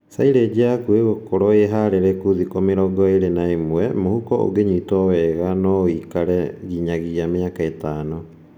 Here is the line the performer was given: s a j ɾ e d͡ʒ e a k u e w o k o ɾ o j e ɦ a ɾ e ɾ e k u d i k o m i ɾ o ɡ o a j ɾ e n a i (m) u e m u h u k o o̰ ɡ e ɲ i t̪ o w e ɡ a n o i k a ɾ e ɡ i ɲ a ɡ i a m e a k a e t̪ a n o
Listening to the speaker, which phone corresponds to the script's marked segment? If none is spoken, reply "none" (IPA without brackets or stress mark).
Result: m